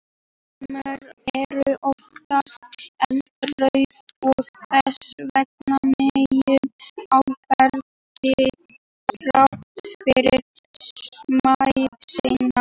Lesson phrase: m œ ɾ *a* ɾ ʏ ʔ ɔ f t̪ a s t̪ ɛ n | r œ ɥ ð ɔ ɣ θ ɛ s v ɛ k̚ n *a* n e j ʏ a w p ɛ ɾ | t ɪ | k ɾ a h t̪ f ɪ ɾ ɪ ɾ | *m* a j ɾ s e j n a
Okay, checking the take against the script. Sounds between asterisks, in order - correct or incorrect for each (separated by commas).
incorrect, correct, correct